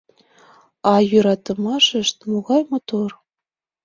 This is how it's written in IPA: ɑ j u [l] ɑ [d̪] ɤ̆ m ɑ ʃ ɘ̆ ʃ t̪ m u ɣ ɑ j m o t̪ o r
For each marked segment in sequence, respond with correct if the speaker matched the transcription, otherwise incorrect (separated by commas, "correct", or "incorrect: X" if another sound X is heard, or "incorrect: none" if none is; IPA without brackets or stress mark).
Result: incorrect: ɾ, incorrect: t̪